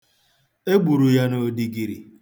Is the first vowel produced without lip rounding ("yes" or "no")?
yes